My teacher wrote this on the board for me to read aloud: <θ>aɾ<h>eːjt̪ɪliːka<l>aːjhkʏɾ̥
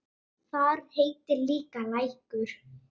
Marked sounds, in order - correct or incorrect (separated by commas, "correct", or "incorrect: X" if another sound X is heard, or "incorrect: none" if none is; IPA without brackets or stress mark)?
correct, correct, correct